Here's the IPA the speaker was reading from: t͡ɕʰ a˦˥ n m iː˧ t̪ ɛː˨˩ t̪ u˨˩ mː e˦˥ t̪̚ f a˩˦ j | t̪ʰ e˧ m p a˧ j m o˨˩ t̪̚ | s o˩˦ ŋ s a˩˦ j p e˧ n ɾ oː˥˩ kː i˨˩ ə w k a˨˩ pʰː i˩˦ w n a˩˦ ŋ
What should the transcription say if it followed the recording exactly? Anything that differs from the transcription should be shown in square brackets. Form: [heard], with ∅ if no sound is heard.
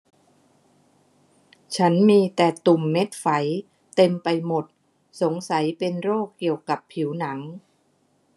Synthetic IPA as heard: t͡ɕʰ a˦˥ n m iː˧ t̪ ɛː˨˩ t̪ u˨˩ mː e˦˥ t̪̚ f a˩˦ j | [t̪] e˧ m p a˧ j m o˨˩ t̪̚ | s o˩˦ ŋ s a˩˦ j p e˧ n ɾ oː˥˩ kː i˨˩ ə w k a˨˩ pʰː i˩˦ w n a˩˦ ŋ